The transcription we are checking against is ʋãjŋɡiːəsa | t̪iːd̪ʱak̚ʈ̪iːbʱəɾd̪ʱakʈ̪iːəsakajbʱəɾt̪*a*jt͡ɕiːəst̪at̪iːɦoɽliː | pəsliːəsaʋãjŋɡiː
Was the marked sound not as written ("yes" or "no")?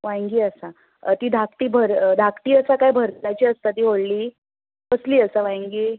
no